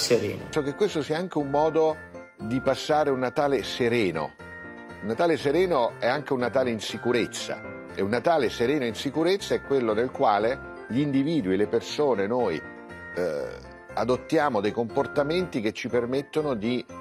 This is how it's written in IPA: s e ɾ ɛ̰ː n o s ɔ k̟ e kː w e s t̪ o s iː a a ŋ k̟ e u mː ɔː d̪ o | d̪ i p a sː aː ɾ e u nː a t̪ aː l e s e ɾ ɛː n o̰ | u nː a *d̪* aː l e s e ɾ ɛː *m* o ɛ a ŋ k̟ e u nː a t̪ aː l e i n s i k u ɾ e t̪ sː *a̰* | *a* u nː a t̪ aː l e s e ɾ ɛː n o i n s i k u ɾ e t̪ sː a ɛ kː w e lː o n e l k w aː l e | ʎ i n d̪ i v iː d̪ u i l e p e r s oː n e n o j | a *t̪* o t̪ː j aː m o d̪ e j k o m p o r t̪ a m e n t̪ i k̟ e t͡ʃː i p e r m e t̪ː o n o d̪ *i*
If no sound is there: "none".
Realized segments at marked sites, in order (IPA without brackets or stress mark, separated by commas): t̪, n, a̰, e, d̪, i